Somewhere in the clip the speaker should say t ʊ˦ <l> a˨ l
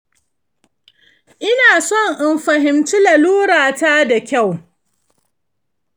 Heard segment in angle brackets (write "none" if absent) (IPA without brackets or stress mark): l